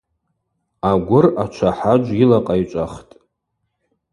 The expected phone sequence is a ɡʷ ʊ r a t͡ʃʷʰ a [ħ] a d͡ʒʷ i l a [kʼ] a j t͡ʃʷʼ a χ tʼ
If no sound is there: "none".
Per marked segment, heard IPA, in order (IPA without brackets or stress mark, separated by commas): ħ, qʼ